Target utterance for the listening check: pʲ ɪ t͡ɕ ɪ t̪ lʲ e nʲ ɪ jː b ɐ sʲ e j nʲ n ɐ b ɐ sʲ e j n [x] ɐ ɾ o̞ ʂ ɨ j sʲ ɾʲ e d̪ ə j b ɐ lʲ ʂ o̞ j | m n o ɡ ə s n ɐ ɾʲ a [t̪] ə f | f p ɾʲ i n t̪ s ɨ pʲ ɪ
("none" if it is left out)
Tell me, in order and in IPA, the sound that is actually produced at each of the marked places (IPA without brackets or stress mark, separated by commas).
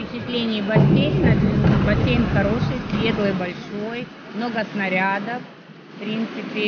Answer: x, d̪